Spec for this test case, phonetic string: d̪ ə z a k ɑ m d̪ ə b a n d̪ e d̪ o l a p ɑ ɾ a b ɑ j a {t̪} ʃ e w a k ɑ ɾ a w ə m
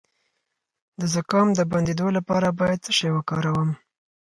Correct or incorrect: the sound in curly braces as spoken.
incorrect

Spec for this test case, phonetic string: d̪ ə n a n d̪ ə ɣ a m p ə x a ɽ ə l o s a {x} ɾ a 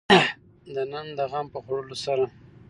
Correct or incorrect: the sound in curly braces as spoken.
incorrect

